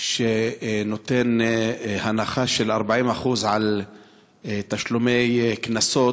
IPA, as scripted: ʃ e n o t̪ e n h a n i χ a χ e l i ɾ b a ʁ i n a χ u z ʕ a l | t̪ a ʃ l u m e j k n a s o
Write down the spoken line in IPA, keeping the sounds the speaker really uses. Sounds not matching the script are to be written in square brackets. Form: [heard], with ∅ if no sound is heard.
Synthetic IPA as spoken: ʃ e n o t̪ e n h a n [a] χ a [ʃ] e l [a] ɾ b a [ʕ] i [m] a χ u z ʕ a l | t̪ a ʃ l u m e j k n a s o